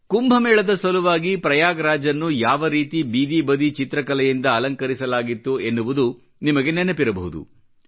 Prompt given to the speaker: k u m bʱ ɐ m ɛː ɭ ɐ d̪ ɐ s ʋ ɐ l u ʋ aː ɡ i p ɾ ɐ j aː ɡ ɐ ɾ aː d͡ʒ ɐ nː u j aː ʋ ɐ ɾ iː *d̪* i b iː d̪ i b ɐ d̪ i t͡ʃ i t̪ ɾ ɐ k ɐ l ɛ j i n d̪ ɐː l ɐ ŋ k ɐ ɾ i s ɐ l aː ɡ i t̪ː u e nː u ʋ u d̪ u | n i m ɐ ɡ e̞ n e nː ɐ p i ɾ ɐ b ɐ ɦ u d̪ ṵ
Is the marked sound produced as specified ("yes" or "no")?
no